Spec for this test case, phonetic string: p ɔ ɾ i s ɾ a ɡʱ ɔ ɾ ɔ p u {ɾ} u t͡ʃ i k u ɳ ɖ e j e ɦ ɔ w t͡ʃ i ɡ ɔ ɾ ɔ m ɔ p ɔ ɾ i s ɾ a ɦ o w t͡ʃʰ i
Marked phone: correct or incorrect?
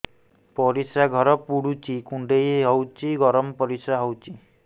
incorrect